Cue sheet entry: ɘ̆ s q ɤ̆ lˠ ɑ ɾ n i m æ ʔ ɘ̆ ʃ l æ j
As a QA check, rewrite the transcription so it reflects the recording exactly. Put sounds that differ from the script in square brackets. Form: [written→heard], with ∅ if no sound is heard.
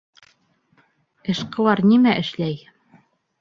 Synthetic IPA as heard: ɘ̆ [s→ʃ] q ɤ̆ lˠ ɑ ɾ n i m æ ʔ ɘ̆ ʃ l æ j